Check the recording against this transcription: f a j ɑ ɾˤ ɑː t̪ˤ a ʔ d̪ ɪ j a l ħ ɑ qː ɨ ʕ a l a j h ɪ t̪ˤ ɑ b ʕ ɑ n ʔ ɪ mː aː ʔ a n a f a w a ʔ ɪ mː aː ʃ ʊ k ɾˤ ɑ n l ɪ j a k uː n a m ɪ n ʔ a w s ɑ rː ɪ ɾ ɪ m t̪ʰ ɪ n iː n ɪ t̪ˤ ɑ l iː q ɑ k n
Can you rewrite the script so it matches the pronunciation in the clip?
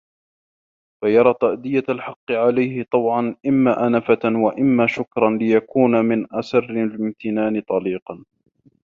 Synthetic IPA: f a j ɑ ɾˤ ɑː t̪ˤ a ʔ d̪ ɪ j a l ħ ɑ qː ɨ ʕ a l a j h ɪ t̪ˤ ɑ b ʕ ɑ n ʔ ɪ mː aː ʔ a n a f a w a ʔ ɪ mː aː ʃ ʊ k ɾˤ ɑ n l ɪ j a k uː n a m ɪ n ʔ a s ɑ rː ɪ l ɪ m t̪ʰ ɪ n aː n ɪ t̪ˤ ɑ l iː q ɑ n